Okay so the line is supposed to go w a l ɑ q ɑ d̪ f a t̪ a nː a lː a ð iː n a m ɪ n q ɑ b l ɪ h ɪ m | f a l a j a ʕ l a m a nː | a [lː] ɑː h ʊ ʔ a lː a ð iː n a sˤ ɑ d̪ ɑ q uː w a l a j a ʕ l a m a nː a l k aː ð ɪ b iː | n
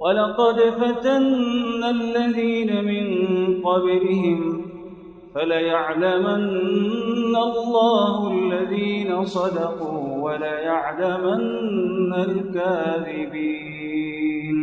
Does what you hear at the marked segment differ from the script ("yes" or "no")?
no